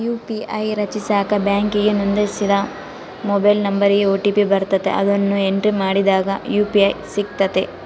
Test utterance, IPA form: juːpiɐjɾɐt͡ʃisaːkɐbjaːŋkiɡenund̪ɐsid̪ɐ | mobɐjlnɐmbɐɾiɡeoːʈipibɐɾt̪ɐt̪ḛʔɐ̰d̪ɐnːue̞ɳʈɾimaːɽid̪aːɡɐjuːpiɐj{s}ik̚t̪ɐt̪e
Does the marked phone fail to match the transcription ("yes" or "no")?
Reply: no